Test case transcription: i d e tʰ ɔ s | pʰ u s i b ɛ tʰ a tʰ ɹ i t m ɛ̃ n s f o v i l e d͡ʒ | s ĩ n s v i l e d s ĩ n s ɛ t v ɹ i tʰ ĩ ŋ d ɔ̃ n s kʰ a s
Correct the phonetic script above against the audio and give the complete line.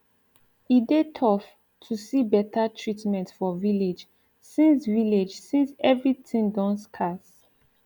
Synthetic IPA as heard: i d e tʰ ɔ f | tʰ u s i b ɛ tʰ a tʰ ɹ i t m ɛ̃ n t f ɔ v i l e d͡ʒ | s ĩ n s v i l e d͡ʒ s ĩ n s ɛ v ɹ i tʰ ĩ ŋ d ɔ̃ n s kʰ a s